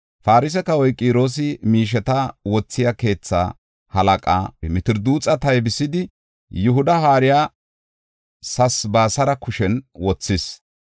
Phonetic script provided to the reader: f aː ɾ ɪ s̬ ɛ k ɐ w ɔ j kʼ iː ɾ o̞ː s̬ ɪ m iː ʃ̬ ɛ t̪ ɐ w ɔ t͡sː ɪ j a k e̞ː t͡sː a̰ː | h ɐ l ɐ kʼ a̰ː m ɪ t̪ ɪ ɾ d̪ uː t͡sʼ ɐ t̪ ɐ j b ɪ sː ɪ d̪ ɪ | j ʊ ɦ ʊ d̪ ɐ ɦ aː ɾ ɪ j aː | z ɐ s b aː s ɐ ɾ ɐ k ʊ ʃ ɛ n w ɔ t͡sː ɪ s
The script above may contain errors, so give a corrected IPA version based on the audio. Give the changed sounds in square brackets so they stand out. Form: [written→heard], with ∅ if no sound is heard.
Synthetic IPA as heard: f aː ɾ ɪ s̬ ɛ k ɐ w ɔ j kʼ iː ɾ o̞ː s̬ ɪ m iː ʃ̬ ɛ t̪ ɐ w ɔ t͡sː ɪ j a k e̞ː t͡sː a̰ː | h ɐ l ɐ kʼ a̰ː m ɪ t̪ ɪ ɾ d̪ uː t͡sʼ ɐ t̪ ɐ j b ɪ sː ɪ d̪ ɪ | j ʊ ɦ ʊ d̪ ɐ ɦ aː ɾ ɪ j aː | [z→s] ɐ s b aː s ɐ ɾ ɐ k ʊ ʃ ɛ n w ɔ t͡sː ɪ s